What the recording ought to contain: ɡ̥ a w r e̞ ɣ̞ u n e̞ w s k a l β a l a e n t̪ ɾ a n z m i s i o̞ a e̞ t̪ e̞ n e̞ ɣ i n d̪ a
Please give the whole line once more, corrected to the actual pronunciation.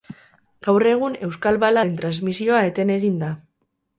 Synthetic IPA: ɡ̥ a w r e̞ ɣ̞ u n e̞ w s k a l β a l a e n t̪ ɾ a n z m i s i o̞ a e̞ t̪ e̞ n e̞ ɣ i n d̪ a